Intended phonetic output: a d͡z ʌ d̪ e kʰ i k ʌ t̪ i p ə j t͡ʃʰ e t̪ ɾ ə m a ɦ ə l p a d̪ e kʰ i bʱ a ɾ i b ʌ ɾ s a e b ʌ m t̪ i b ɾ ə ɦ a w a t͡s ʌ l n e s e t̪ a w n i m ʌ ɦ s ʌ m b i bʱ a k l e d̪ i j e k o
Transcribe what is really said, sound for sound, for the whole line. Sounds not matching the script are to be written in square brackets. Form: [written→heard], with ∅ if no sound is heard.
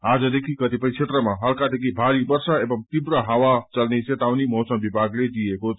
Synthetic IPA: a d͡z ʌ d̪ e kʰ i k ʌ t̪ i p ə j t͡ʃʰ e t̪ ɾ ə m a ɦ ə l [p→k] a d̪ e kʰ i bʱ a ɾ i b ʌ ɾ s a e b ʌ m t̪ i b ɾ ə ɦ a w a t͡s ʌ l n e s e t̪ a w n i m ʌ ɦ s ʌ m b i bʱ a [k→ɡ] l e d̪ i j e k o